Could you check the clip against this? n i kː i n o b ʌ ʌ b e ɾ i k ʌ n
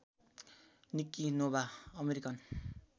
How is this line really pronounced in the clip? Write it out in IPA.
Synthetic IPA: n i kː i n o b a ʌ m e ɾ i k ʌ n